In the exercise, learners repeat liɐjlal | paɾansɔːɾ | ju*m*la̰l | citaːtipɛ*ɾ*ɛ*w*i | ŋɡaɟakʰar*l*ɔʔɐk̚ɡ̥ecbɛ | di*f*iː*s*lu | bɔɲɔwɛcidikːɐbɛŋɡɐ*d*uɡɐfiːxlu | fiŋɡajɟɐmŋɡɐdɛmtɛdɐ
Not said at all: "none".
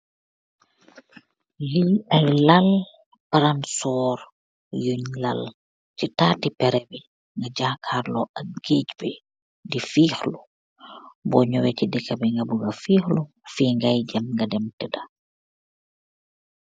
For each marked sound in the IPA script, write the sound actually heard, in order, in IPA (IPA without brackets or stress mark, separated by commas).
ɲ, ɾ, b, l, f, x, b